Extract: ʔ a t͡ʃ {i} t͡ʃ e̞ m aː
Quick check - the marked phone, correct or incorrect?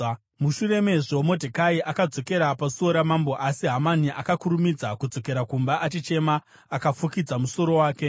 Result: correct